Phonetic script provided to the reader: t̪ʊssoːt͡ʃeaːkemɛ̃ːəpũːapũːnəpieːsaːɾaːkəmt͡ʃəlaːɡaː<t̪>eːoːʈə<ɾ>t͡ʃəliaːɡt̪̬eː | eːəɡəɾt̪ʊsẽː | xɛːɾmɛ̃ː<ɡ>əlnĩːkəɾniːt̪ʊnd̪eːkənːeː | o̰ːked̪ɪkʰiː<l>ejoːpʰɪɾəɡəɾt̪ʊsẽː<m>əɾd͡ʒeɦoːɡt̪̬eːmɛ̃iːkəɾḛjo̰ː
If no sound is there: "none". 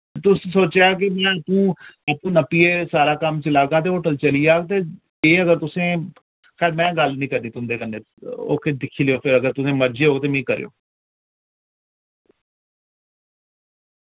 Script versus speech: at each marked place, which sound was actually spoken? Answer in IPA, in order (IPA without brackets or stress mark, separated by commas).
t̪, l, ɡ, l, m